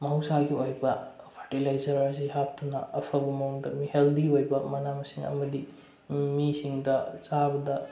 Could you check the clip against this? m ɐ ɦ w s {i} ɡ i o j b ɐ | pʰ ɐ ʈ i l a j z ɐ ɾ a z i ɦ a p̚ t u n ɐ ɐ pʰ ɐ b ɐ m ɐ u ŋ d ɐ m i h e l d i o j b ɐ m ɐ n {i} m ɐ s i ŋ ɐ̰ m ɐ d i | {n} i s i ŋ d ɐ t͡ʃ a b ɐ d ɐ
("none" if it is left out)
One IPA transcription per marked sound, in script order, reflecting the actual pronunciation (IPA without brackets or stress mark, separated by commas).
a, a, m